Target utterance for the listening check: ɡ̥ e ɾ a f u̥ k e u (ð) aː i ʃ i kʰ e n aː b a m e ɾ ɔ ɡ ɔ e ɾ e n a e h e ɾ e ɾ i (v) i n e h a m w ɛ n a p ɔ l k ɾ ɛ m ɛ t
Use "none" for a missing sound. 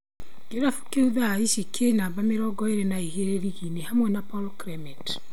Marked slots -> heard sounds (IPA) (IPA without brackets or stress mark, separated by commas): ð, ɣ